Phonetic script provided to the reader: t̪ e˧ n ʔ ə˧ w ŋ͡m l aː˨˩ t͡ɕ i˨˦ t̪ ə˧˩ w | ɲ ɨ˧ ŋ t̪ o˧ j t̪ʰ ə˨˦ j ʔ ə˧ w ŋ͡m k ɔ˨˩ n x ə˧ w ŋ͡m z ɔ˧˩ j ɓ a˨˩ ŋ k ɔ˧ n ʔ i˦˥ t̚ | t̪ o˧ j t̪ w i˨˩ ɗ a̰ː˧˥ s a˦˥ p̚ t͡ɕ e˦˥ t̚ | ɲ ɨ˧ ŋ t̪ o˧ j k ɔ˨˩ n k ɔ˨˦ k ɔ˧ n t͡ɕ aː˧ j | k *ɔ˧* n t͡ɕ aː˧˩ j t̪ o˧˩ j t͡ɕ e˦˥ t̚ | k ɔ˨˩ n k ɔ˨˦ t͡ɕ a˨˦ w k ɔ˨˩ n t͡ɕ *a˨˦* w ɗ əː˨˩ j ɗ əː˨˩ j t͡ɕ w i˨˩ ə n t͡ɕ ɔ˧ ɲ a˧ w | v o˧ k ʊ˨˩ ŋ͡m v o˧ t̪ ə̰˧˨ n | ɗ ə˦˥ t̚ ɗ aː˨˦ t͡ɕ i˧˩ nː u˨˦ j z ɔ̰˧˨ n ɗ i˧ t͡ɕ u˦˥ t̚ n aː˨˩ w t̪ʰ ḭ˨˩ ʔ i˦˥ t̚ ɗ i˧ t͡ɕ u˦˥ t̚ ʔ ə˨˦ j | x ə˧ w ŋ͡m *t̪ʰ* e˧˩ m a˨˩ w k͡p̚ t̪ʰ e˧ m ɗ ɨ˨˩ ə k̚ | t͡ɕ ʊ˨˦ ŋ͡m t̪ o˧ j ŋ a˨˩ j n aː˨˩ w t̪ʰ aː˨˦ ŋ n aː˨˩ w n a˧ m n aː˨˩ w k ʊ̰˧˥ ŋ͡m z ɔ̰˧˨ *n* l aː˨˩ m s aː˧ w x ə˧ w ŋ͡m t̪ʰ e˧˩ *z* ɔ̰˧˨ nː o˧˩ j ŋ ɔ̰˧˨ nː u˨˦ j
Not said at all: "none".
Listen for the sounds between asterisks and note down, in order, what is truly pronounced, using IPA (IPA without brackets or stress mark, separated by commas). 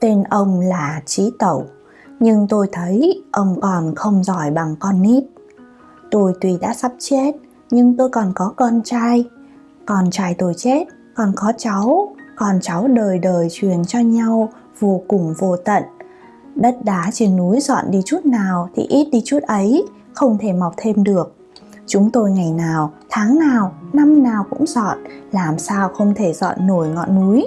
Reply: ɔ˨˩, a˨˦, t̪ʰ, n, z